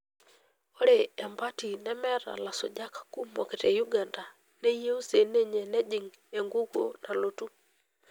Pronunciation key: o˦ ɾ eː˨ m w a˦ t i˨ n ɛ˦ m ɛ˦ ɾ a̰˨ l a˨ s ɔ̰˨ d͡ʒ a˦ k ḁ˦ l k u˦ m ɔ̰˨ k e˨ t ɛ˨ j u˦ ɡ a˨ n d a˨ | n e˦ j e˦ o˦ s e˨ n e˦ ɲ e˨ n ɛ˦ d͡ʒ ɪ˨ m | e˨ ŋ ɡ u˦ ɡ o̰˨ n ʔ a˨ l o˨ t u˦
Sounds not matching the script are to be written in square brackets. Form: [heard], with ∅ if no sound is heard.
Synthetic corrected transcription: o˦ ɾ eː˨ m [b] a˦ t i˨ n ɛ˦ m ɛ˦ ɾ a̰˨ l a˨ s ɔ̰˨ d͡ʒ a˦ k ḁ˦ [∅] k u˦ m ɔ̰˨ k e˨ t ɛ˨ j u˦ ɡ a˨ n d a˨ | n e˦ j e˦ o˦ s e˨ n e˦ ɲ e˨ n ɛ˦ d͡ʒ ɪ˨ [ŋ] | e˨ ŋ ɡ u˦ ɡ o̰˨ n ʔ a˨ l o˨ t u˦